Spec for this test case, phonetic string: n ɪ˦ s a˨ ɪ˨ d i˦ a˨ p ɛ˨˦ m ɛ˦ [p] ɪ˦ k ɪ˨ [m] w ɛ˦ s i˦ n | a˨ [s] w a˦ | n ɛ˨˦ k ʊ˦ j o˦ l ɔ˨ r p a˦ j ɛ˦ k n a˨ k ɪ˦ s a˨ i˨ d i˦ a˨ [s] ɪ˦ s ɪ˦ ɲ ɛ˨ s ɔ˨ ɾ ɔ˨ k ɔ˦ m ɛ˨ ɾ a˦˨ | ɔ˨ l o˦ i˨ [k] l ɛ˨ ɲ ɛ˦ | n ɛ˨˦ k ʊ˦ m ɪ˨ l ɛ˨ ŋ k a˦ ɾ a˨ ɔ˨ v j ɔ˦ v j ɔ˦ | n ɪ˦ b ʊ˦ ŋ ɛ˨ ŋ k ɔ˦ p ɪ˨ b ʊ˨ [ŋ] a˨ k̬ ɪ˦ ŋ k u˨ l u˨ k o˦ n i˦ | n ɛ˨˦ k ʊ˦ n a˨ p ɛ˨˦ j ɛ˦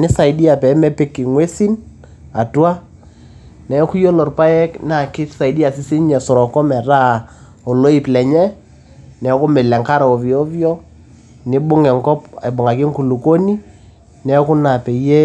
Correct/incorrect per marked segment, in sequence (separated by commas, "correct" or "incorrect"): correct, incorrect, incorrect, correct, incorrect, correct